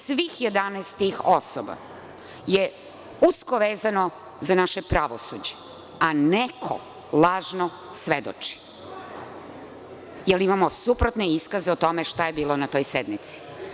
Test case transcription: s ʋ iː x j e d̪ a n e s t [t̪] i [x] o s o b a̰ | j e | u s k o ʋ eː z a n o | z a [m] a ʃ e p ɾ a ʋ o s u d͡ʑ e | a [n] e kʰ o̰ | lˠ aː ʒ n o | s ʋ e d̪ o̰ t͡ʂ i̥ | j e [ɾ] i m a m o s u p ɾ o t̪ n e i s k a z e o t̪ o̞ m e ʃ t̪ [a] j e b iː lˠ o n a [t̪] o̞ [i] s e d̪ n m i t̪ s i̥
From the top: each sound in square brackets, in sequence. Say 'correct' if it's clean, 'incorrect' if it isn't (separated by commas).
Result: correct, correct, incorrect, correct, incorrect, correct, correct, incorrect